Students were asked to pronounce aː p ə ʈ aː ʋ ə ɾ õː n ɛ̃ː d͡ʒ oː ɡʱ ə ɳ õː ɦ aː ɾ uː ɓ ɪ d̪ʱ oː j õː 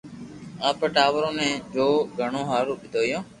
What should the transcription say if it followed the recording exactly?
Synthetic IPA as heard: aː p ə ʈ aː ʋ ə ɾ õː n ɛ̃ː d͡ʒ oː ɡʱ ə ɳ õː ɦ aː ɾ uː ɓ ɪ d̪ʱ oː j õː